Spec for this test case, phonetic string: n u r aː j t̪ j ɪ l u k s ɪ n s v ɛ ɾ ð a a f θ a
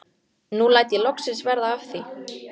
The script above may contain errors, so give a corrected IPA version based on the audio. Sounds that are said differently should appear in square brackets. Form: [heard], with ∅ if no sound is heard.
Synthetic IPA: n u [l] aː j t̪ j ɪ l [ɔ] k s ɪ n s v ɛ ɾ ð a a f θ [i]